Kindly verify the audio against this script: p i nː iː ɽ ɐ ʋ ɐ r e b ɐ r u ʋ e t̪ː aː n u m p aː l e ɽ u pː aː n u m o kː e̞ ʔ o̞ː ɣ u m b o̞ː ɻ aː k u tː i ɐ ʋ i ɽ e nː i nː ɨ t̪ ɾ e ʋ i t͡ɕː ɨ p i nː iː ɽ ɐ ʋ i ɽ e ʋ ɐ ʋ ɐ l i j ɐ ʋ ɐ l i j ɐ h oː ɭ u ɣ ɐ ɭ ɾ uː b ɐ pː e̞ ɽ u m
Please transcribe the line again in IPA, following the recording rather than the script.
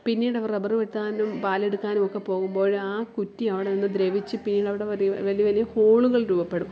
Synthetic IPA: p i nː iː ɽ ɐ ʋ ɐ r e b ɐ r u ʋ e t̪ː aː n u m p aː l e ɽ u kː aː n u m o kː e̞ p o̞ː ɣ u m b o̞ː ɻ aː k u tː i ɐ ʋ i ɽ e n i nː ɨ d̪ ɾ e ʋ i t͡ɕː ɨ p i nː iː ɽ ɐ ʋ i ɽ e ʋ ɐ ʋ ɐ l i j ɐ ʋ ɐ l i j ɐ h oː ɭ u ɣ ɐ ɭ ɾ uː b ɐ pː e̞ ɽ u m

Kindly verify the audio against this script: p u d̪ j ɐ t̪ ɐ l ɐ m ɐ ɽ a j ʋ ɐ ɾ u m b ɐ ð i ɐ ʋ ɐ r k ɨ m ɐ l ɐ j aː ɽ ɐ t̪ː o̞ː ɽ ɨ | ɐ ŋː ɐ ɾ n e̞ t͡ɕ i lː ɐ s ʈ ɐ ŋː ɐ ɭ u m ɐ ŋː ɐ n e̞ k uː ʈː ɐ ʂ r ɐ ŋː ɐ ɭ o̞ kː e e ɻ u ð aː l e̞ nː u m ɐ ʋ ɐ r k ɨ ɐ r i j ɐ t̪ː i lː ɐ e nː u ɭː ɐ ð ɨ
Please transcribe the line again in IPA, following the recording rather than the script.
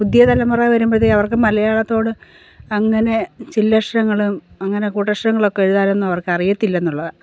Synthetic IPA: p u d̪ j ɐ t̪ ɐ l ɐ m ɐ r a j ʋ ɐ ɾ u m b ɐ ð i ɐ ʋ ɐ r k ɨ m ɐ l ɐ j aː ɭ ɐ t̪ː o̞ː ɽ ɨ | ɐ ŋː ɐ n e̞ t͡ɕ i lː ɐ ʂ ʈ ɐ ŋː ɐ ɭ u m ɐ ŋː ɐ n e̞ k uː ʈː ɐ ʂ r ɐ ŋː ɐ ɭ o̞ kː e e ɻ u ð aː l e̞ nː u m ɐ ʋ ɐ r k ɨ ɐ r i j ɐ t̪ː i lː ɐ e nː u ɭː ɐ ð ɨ

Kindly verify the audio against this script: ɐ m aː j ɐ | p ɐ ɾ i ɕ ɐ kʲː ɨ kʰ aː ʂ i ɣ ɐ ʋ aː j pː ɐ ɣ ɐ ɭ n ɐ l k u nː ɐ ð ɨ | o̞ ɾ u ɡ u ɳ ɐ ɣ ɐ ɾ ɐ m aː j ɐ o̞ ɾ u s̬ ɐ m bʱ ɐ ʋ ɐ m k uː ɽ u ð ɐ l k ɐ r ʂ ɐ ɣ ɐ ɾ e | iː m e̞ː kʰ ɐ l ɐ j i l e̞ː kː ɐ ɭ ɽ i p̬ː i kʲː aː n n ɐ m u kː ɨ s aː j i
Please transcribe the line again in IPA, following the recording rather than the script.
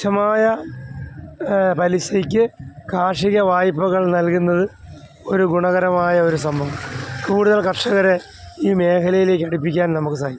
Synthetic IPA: ɐ m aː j ɐ | p ɐ l i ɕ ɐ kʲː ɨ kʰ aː ʂ i ɣ ɐ ʋ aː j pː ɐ ɣ ɐ ɭ n ɐ l k u nː ɐ ð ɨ | o̞ ɾ u ɡ u ɳ ɐ ɣ ɐ ɾ ɐ m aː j ɐ o̞ ɾ u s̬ ɐ m bʱ ɐ ʋ ɐ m k uː ɽ u ð ɐ l k ɐ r ʂ ɐ ɣ ɐ ɾ e | iː m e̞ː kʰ ɐ l ɐ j i l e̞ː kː ɐ ɽ i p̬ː i kʲː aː n n ɐ m u kː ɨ s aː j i

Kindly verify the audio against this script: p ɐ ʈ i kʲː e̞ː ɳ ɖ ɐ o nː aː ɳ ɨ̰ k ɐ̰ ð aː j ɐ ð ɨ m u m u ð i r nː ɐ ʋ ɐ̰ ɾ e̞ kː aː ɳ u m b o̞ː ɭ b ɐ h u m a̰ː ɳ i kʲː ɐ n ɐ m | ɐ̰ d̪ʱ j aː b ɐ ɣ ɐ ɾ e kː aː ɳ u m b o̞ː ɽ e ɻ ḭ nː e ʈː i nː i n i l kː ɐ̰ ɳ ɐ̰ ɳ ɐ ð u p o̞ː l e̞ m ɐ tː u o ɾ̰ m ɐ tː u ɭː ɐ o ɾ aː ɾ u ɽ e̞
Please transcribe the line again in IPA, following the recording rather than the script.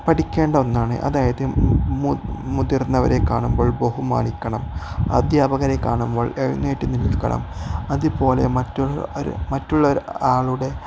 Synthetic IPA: p ɐ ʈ i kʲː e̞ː ɳ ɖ ɐ o nː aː ɳ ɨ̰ ʔ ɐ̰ ð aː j ɐ ð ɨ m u m u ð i r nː ɐ ʋ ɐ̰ ɾ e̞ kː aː ɳ u m b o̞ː ɭ b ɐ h u m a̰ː ɳ i kʲː ɐ ɳ ɐ m | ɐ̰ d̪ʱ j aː b ɐ ɣ ɐ ɾ e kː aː ɳ u m b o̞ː ɭ e ɻ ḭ nː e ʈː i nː i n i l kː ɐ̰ ɳ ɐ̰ m ɐ ð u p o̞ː l e̞ m ɐ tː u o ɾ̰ m ɐ tː u ɭː ɐ o ɾ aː ɭ u ɽ e̞

